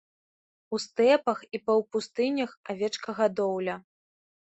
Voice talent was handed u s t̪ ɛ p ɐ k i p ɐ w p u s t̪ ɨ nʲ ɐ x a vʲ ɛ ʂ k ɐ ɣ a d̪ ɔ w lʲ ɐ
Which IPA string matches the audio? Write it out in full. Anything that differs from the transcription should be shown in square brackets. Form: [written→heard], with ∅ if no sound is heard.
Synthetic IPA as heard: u s t̪ ɛ p ɐ [k→x] i p ɐ w p u s t̪ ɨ nʲ ɐ x a vʲ ɛ [ʂ→t͡ʂ] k ɐ ɣ a d̪ ɔ w lʲ ɐ